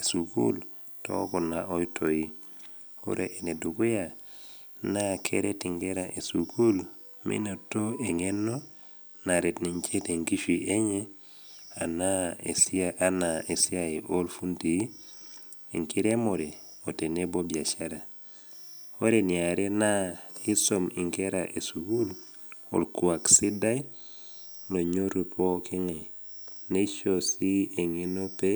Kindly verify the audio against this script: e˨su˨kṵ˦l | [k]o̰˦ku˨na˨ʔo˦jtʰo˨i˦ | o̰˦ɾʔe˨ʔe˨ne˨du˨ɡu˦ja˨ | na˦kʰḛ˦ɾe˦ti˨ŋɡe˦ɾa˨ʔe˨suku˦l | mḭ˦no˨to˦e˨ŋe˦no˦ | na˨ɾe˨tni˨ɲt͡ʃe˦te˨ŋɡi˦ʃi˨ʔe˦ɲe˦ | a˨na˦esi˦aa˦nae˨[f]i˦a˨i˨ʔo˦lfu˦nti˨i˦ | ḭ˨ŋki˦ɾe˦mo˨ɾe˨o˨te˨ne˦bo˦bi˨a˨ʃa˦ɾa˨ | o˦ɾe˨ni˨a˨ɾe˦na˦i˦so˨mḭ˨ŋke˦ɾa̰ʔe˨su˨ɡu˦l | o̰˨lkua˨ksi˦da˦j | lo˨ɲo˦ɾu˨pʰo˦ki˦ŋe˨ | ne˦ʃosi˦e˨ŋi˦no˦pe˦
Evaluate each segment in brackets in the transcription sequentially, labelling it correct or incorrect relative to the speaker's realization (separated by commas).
incorrect, incorrect